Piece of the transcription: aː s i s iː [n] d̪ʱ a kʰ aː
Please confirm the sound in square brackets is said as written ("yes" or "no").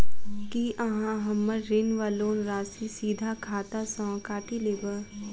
no